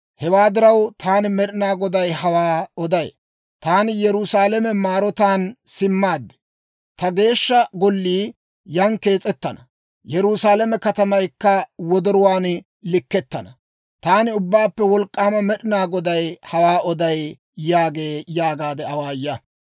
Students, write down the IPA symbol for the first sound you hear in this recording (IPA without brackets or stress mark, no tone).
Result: h